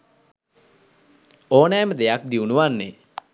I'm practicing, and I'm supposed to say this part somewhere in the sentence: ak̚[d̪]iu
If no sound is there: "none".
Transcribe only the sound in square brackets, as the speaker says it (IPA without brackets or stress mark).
d̪